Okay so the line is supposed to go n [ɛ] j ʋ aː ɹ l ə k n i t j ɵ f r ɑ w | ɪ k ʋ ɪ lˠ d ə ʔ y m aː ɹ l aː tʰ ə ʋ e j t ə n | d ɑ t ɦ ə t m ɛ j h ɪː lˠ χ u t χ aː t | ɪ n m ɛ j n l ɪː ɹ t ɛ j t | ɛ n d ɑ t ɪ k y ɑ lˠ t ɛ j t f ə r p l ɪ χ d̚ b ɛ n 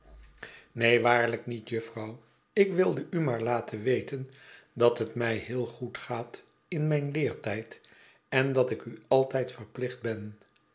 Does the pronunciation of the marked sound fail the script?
yes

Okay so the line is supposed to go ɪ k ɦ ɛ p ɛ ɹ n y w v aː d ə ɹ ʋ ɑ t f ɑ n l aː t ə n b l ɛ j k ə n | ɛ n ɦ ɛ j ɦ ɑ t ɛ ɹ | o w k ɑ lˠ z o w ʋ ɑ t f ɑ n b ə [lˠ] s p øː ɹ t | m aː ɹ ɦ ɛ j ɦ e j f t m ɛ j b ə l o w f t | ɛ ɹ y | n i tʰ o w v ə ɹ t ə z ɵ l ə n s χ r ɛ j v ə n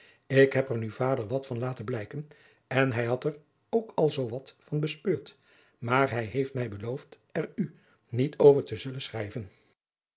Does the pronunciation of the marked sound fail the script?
yes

